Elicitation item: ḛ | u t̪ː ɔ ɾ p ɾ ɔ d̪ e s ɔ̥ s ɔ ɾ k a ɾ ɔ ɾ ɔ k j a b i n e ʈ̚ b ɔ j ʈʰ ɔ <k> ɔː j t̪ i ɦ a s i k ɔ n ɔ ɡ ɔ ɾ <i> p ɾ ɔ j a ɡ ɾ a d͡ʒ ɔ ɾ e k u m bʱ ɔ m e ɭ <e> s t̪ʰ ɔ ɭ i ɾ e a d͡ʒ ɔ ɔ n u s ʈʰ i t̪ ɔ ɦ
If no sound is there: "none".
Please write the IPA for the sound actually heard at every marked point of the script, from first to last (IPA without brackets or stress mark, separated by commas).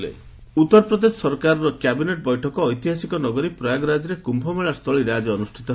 k, i, a